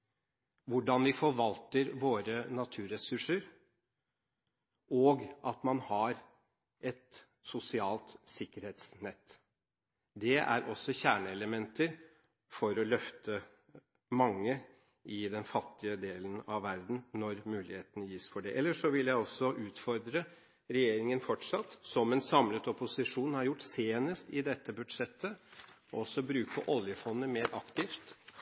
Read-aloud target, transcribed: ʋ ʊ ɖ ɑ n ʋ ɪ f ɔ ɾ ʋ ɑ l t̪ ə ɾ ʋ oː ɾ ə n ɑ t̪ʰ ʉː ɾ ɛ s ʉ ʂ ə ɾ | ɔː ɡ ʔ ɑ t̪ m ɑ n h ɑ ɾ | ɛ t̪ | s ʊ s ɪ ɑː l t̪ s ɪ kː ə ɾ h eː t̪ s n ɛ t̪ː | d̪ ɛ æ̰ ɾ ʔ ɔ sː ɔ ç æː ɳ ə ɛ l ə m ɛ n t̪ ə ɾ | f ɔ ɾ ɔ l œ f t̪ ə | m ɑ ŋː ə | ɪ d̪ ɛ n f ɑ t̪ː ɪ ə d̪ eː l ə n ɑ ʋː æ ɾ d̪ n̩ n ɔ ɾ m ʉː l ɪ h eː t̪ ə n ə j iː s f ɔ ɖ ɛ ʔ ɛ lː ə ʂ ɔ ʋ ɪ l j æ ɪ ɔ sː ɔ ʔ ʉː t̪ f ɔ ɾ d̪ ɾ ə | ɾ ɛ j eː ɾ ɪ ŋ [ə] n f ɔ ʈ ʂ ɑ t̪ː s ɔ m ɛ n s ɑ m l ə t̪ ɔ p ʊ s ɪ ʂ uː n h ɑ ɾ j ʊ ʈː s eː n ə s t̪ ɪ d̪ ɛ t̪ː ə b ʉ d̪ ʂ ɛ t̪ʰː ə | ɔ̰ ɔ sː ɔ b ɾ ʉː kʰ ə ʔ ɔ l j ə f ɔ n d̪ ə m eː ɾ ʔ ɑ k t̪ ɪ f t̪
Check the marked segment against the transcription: correct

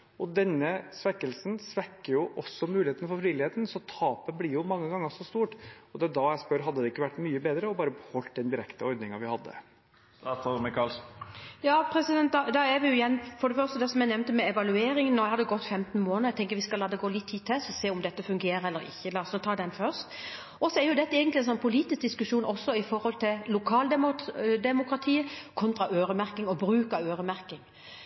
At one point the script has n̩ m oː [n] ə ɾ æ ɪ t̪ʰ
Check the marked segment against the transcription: correct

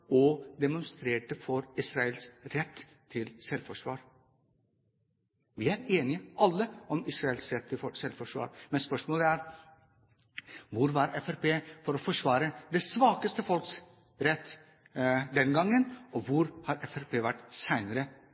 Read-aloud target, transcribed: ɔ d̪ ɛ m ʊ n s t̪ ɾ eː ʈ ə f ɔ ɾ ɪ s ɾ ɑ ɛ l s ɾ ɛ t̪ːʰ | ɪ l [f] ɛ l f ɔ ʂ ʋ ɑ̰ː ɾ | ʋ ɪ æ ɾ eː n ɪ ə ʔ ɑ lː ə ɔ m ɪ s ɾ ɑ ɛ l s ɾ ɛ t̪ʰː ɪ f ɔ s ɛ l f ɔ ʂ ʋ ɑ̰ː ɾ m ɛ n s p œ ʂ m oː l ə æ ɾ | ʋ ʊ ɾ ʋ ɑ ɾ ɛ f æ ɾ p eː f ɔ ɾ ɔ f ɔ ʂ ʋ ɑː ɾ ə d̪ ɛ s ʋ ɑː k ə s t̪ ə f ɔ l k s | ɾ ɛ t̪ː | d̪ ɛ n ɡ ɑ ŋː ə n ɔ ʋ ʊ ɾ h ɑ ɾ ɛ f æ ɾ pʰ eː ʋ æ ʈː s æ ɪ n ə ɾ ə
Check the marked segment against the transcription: incorrect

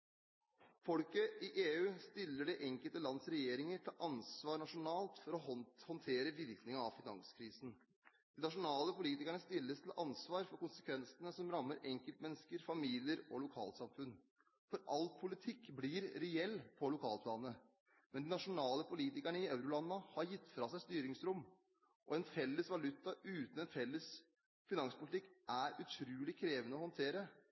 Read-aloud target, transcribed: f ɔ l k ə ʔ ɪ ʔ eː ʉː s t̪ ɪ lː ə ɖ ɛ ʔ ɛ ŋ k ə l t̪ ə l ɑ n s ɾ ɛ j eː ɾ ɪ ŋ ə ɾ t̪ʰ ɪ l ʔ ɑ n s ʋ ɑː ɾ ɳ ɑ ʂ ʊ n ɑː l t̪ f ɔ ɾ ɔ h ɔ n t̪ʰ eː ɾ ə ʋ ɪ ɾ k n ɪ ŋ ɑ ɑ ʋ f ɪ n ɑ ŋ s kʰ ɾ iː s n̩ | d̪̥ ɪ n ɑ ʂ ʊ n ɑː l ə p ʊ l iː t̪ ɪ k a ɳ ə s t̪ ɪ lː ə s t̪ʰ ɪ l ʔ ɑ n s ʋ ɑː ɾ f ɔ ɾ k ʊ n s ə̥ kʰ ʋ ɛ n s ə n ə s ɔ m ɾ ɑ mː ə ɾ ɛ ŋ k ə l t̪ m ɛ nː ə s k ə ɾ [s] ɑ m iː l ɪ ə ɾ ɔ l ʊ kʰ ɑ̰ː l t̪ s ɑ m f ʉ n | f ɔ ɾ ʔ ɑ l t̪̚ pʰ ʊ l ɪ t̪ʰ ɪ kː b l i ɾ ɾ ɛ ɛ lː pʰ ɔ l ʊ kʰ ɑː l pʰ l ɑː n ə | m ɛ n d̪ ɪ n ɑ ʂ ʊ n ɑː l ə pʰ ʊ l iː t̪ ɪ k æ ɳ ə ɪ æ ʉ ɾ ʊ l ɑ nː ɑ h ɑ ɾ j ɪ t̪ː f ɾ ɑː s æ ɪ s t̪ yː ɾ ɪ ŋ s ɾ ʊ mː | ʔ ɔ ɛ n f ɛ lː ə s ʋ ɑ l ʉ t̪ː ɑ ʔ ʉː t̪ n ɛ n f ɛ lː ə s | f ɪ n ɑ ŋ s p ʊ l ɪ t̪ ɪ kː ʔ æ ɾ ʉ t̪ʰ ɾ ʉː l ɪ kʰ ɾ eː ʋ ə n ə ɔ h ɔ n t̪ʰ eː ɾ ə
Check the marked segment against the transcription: incorrect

